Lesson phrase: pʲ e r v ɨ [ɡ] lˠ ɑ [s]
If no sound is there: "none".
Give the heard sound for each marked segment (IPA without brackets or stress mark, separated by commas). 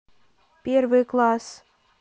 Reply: k, s